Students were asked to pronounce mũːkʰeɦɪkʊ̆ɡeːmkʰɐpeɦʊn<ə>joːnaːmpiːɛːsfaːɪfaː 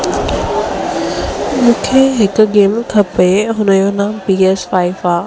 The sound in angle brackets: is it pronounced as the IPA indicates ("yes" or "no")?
yes